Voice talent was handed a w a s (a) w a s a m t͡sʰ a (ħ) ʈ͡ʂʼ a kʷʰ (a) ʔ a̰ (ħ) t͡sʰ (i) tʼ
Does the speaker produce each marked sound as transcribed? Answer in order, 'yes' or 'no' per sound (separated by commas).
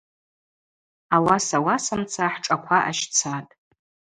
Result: yes, yes, yes, no, no